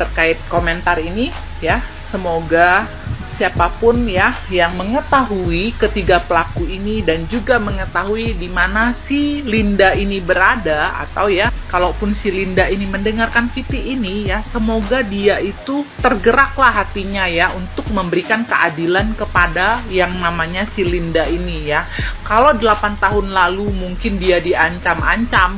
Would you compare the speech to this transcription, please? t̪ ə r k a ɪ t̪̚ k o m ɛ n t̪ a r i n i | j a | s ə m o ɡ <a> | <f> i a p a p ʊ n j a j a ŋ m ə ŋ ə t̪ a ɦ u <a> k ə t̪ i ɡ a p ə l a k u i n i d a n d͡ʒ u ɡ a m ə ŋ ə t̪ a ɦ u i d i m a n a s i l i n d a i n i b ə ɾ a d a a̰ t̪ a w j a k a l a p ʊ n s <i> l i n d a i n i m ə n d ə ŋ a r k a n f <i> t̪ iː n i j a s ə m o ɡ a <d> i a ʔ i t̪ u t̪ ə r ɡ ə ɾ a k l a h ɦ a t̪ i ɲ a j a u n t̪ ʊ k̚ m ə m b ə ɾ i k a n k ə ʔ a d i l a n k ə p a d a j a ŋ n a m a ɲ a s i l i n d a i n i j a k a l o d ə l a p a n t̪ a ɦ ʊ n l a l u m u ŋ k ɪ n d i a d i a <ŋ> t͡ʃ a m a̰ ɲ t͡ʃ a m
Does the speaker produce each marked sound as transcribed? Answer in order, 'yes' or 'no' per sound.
yes, no, no, yes, yes, yes, no

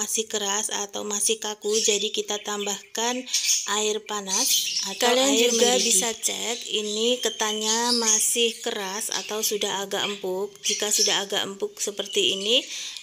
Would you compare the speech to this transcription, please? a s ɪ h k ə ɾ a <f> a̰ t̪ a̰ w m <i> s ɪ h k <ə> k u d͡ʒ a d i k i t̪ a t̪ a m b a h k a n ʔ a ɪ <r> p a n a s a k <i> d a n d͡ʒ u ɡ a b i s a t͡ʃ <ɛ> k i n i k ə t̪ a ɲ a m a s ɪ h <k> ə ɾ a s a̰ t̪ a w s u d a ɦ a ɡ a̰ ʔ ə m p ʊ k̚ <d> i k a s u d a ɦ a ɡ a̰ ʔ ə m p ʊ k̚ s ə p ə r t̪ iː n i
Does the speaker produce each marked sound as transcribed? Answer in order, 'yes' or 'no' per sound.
no, no, no, yes, no, yes, yes, no

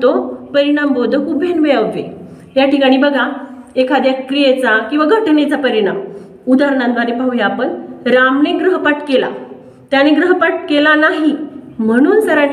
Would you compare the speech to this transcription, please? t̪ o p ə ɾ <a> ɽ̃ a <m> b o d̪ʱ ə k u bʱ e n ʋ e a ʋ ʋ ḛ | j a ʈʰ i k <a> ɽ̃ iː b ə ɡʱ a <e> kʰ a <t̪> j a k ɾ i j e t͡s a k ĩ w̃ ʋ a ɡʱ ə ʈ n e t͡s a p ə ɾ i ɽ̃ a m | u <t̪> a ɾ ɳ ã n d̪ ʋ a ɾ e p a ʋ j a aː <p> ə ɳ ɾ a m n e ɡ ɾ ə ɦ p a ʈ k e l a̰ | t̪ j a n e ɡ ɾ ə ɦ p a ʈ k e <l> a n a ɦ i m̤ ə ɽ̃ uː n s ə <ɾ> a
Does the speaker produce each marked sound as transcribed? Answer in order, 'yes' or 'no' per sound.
no, yes, yes, yes, no, no, yes, yes, yes

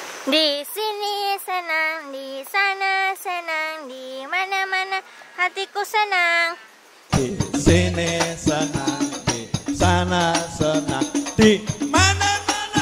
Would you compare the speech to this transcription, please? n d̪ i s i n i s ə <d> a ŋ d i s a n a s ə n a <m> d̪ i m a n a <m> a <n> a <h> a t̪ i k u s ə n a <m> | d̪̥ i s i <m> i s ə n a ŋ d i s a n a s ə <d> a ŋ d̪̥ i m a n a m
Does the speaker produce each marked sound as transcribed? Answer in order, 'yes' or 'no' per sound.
no, no, yes, yes, yes, no, no, no

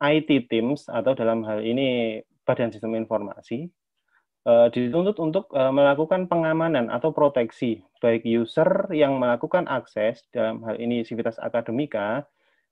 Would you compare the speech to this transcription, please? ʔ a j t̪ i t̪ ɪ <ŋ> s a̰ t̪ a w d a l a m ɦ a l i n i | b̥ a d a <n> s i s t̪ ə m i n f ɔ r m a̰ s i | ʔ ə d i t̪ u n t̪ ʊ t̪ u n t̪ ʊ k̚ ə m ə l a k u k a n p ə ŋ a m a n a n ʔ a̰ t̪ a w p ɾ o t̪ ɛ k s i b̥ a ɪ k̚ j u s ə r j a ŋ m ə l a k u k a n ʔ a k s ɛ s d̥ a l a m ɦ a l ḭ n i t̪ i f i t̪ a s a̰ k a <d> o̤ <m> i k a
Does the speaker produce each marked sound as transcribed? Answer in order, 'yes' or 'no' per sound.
no, yes, yes, yes

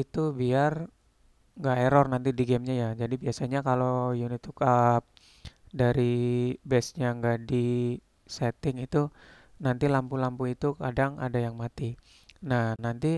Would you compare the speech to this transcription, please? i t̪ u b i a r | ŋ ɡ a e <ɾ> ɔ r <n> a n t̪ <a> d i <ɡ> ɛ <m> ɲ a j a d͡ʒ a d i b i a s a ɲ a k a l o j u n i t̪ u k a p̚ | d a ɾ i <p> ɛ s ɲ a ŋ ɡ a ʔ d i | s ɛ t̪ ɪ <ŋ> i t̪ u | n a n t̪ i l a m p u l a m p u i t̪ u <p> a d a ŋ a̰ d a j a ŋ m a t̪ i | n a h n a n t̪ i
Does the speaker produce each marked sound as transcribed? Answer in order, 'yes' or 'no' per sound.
yes, yes, no, yes, yes, no, yes, no

